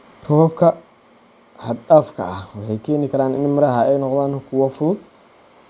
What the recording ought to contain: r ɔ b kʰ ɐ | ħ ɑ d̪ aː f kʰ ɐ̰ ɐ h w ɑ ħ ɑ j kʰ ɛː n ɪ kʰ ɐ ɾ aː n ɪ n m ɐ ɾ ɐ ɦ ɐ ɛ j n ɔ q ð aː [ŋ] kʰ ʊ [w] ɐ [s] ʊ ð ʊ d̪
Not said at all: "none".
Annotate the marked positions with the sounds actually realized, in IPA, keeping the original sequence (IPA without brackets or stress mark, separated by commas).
n, w, f